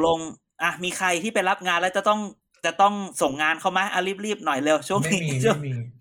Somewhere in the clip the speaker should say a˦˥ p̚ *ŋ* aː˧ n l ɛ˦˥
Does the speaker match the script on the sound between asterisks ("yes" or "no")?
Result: yes